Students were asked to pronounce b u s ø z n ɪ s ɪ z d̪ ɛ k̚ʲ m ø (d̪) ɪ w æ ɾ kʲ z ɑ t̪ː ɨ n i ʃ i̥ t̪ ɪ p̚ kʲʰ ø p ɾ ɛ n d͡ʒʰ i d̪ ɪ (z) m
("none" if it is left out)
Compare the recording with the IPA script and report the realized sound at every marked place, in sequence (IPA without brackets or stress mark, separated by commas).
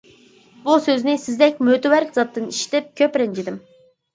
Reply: t̪, none